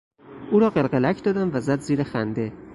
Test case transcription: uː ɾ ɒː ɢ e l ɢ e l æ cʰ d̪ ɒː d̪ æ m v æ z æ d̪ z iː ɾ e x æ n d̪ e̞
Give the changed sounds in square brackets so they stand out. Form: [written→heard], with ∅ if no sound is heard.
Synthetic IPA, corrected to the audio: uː ɾ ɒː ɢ e l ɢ e l æ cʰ d̪ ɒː d̪ æ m v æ z æ d̪ z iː ɾ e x æ n d̪ e̞